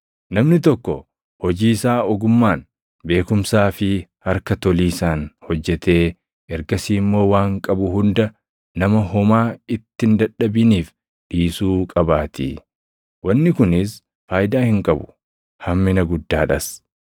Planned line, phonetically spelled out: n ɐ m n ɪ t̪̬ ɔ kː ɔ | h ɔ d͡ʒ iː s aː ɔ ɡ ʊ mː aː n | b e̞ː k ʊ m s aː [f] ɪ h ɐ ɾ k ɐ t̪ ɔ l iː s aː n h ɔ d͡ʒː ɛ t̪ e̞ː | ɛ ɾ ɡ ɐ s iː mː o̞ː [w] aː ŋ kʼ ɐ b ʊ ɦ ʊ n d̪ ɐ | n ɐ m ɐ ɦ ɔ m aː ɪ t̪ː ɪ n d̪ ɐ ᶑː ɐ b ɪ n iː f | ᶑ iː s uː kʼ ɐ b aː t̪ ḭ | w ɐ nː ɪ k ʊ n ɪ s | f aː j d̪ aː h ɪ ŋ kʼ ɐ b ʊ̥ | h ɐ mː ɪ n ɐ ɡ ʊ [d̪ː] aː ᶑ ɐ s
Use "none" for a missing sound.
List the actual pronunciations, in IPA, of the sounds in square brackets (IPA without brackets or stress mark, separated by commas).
f, w, d̪ː